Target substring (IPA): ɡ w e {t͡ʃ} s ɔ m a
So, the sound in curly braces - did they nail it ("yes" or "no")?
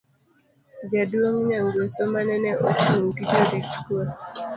no